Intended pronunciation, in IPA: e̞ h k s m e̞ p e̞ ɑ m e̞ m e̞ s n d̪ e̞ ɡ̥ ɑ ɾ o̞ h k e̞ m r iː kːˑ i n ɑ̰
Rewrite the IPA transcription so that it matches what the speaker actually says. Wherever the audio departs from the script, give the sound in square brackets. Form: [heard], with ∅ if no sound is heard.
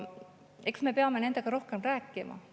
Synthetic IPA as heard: e̞ [∅] k s m e̞ p e̞ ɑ m e̞ [n] e̞ [∅] n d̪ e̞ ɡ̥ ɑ ɾ o̞ h k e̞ m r [æː] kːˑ i [m] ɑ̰